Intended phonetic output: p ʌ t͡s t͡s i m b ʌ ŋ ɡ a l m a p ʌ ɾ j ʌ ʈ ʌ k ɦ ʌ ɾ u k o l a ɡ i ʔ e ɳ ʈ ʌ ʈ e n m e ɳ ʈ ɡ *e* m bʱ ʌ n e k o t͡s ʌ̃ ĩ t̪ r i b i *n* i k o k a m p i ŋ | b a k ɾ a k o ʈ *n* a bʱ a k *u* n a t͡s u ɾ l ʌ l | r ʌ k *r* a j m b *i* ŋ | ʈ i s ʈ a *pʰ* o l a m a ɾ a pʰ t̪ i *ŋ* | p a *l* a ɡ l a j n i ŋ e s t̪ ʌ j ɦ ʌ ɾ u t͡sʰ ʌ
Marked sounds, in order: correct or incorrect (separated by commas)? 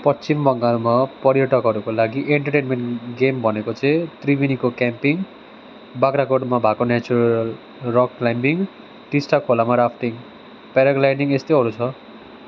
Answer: correct, correct, incorrect, incorrect, incorrect, correct, incorrect, correct, incorrect